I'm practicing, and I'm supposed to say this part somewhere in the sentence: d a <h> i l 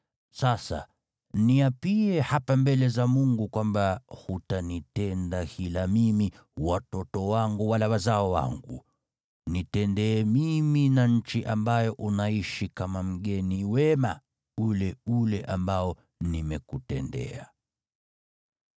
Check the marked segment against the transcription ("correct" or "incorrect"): correct